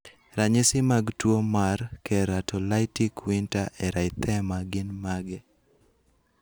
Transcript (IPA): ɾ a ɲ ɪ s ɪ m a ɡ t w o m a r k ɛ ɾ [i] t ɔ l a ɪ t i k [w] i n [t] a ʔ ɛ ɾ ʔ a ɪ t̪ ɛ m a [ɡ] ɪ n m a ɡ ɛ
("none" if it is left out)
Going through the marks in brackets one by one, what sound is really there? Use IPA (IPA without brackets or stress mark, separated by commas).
a, w, t, ɡ